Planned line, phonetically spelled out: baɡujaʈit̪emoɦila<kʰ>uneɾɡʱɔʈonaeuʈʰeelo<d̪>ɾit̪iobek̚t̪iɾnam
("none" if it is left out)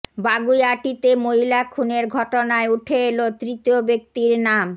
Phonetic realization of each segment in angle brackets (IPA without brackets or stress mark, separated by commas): kʰ, t̪